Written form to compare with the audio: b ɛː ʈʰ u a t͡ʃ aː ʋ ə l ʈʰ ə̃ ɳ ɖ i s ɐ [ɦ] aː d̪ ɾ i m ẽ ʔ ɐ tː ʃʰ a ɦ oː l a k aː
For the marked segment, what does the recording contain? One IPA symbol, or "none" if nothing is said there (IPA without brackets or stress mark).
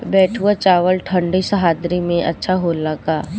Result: ɦ